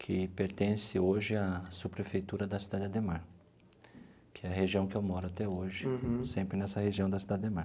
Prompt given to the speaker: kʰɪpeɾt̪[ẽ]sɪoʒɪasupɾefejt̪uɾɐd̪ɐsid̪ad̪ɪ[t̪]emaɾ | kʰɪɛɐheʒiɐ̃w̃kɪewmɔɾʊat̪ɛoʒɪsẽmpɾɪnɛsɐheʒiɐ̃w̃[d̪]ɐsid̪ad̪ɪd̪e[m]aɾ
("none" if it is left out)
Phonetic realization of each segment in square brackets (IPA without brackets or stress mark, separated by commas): ẽ, d̪, d̪, m